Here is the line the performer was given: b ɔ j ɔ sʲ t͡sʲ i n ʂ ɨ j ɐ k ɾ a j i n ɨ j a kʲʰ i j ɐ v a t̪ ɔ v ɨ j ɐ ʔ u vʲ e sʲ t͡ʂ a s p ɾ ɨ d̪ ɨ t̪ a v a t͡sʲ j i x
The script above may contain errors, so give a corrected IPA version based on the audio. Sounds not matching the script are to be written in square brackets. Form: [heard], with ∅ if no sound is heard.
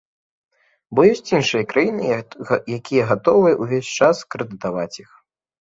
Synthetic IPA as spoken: b ɔ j ɔ sʲ t͡sʲ i n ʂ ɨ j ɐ k ɾ a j i n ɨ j a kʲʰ i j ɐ [ɣ] a t̪ ɔ v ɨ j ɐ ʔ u vʲ e sʲ t͡ʂ a s [k] ɾ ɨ d̪ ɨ t̪ a v a t͡sʲ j i x